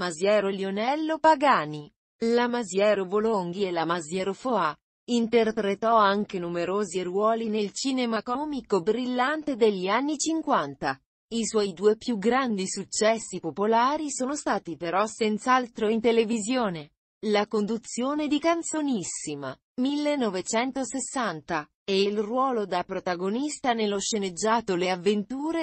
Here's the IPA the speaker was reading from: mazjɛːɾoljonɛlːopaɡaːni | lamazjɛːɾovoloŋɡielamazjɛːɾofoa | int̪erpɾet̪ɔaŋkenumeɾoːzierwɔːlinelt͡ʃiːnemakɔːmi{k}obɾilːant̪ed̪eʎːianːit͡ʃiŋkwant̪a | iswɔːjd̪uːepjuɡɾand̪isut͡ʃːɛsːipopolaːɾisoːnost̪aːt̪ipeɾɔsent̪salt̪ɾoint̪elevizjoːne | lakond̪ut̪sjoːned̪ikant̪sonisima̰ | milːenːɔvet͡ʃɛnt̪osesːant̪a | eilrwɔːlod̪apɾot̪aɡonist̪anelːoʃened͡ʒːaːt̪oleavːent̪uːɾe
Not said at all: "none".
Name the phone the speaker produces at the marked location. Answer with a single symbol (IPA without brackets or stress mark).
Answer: k